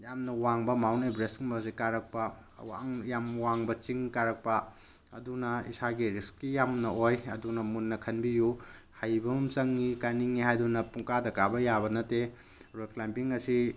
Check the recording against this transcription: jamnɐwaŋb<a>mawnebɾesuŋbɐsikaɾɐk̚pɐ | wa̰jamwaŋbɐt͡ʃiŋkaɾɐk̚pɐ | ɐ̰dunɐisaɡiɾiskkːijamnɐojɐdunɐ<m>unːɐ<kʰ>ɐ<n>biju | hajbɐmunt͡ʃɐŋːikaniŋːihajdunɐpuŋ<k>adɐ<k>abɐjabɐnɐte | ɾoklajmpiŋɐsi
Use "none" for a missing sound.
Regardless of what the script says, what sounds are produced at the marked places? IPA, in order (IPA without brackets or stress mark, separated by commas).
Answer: ɐ, m, kʰ, n, k, k